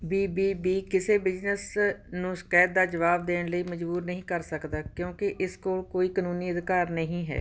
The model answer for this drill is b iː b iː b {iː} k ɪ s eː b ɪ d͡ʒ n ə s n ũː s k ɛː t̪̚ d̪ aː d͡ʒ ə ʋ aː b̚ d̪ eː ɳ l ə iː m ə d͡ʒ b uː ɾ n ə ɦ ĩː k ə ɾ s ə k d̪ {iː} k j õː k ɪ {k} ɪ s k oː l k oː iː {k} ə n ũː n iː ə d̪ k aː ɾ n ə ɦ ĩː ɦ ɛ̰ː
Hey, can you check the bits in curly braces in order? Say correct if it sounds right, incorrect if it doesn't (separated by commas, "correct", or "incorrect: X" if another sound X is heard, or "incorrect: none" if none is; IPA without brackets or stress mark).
correct, incorrect: aː, incorrect: ʔ, correct